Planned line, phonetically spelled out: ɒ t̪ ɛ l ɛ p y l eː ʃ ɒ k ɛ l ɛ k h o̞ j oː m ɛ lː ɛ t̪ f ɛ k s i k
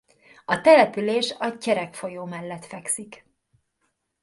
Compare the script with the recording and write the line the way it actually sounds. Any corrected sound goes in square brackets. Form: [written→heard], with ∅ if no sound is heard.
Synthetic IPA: ɒ t̪ ɛ l ɛ p y l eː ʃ ɒ [k→c] ɛ [l→ɾ] ɛ k [h→f] o̞ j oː m ɛ lː ɛ t̪ f ɛ k s i k